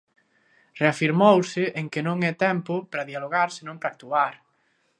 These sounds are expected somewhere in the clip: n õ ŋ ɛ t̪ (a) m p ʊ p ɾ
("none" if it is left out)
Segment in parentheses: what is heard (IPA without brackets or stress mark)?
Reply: ɛ